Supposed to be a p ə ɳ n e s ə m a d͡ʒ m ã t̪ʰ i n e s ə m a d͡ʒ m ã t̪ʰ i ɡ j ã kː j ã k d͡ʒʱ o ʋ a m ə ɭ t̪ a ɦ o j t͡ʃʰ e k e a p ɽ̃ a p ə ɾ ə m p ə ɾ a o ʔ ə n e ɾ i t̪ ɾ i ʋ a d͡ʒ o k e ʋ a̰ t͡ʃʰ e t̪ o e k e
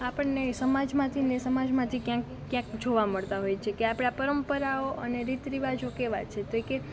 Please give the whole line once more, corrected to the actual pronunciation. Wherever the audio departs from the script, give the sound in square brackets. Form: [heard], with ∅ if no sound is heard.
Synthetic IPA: a p ə ɳ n e s ə m a d͡ʒ m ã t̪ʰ i n e s ə m a d͡ʒ m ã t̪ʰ i [k] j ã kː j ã k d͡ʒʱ o ʋ a m ə ɭ t̪ a ɦ o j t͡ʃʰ e k e a p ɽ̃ a p ə ɾ ə m p ə ɾ a o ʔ ə n e ɾ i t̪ ɾ i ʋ a d͡ʒ o k e ʋ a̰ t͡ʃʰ e t̪ o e k e